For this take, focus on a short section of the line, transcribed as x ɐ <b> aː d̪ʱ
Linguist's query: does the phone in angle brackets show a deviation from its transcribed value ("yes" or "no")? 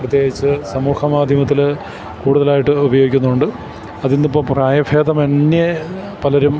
yes